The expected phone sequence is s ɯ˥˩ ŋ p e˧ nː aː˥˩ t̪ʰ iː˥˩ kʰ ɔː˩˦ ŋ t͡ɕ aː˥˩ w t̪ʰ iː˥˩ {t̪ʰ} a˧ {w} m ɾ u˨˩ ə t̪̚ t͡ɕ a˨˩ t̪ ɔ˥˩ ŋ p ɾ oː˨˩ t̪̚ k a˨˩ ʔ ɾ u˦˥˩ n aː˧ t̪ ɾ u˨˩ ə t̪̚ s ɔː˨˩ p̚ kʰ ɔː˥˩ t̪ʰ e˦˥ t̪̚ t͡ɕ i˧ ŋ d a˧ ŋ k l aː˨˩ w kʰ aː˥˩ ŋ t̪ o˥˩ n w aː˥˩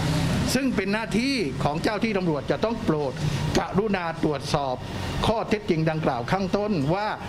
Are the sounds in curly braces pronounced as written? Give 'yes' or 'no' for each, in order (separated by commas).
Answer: no, no